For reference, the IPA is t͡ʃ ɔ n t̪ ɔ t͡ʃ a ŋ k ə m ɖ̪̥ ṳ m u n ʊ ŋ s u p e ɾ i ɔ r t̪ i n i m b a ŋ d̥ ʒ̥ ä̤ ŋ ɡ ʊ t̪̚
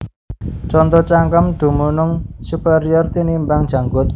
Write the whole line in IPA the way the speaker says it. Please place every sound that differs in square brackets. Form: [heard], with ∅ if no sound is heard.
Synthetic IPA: t͡ʃ ɔ n t̪ ɔ t͡ʃ a ŋ k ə m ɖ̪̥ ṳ m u n ʊ ŋ s u p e ɾ i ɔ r t̪ i n i m b a ŋ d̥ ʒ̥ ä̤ ŋ ɡ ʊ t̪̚